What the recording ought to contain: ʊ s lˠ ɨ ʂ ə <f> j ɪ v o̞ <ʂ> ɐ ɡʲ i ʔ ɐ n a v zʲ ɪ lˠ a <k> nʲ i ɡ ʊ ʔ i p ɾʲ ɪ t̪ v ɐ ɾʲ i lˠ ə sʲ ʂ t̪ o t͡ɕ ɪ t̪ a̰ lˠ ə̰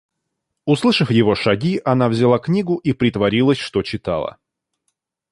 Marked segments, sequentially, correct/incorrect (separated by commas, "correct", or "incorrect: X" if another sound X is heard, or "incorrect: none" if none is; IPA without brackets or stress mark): correct, correct, correct